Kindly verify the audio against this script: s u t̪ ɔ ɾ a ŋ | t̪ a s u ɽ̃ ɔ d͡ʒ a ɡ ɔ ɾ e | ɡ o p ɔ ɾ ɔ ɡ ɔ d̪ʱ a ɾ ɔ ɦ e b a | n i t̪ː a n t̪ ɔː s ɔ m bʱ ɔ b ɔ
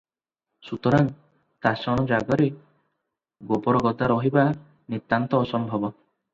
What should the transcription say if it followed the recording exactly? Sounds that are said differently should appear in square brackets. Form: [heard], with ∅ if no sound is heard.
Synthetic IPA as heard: s u t̪ ɔ ɾ a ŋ | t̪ a s [ɔ] ɽ̃ ɔ d͡ʒ a ɡ ɔ ɾ e | ɡ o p ɔ ɾ ɔ ɡ ɔ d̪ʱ a ɾ ɔ ɦ [i] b a | n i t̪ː a n t̪ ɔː s ɔ m bʱ ɔ b ɔ